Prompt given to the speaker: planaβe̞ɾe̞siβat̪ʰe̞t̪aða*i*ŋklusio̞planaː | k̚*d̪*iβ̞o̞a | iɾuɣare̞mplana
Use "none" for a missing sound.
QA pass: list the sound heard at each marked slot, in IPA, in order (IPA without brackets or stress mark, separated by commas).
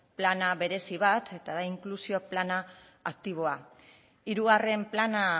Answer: i, t̪